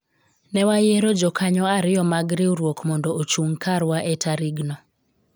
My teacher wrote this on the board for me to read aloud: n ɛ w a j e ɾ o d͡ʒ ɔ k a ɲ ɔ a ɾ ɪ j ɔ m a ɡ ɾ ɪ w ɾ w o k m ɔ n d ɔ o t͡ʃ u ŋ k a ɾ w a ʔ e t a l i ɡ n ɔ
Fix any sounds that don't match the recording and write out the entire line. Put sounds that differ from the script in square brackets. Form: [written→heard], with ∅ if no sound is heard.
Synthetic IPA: n ɛ w a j e ɾ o d͡ʒ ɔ k a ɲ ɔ a ɾ ɪ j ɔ m a ɡ ɾ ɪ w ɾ w o k m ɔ n d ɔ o t͡ʃ u ŋ k a ɾ w a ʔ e t a [l→ɾ] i ɡ n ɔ